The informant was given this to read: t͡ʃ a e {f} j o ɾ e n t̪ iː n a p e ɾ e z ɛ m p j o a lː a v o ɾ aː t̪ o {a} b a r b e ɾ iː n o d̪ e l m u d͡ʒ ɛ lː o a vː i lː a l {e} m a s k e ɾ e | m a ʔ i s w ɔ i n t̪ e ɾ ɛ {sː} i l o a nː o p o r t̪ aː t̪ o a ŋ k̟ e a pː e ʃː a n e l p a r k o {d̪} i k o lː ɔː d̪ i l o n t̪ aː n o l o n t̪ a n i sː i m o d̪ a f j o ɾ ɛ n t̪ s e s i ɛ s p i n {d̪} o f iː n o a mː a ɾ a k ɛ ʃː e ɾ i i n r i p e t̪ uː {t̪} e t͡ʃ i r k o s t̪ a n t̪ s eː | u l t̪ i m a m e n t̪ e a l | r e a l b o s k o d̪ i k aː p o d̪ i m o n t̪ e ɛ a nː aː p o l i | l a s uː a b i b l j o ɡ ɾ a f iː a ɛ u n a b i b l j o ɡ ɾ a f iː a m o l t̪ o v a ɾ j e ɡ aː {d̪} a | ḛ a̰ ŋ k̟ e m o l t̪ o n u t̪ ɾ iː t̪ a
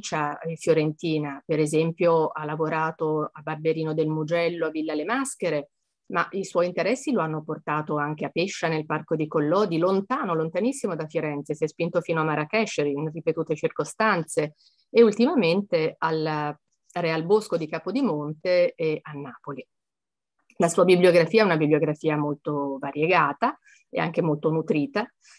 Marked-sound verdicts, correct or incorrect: correct, correct, correct, correct, correct, incorrect, correct, incorrect

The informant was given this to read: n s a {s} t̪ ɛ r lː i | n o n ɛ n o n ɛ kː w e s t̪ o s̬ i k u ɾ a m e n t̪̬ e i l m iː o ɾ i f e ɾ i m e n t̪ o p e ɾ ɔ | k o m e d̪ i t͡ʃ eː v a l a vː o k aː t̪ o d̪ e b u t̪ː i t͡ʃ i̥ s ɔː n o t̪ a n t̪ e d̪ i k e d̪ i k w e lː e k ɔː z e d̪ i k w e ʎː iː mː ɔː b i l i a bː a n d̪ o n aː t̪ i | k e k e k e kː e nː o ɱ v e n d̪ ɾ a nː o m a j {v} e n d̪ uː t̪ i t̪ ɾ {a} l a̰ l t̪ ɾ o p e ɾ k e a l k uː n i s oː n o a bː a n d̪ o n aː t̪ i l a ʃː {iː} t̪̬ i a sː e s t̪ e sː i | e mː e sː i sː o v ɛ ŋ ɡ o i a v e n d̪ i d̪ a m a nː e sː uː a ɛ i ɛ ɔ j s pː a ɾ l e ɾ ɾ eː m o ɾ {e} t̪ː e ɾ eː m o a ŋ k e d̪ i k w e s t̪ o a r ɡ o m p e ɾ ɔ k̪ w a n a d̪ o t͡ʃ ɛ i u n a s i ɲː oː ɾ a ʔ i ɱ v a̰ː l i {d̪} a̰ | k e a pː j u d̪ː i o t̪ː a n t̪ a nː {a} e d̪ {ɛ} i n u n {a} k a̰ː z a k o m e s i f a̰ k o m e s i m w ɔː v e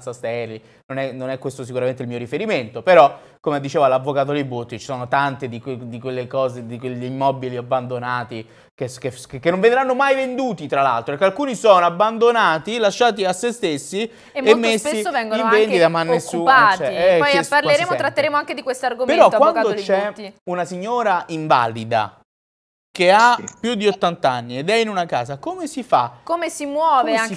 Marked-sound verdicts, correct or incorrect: correct, correct, correct, incorrect, incorrect, correct, incorrect, correct, correct

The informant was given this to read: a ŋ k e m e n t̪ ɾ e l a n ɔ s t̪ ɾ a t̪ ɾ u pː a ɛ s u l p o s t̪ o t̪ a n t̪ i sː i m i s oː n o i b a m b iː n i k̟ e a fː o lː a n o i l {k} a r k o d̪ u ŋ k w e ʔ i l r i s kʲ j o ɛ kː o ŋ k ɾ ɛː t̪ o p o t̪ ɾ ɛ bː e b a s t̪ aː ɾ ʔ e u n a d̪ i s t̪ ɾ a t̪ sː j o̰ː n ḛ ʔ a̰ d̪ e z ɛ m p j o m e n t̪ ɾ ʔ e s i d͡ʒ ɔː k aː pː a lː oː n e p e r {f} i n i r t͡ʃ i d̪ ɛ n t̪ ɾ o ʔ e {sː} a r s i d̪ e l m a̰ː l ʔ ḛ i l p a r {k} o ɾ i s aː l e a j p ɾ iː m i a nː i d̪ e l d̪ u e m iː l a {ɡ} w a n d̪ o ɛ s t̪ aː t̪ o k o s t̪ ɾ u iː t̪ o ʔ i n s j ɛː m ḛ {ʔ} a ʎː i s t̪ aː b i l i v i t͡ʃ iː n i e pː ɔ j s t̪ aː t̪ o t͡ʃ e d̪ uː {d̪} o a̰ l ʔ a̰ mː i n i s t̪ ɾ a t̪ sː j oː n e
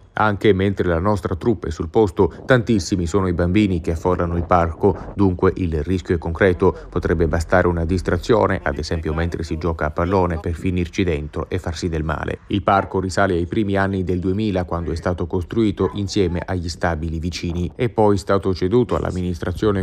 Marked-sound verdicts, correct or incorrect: incorrect, correct, incorrect, correct, incorrect, correct, incorrect

